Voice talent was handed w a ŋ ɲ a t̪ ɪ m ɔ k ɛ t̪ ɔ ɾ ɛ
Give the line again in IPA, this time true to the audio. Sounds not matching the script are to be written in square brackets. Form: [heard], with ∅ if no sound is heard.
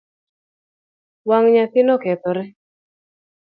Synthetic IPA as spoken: w a ŋ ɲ a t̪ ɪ [n] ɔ k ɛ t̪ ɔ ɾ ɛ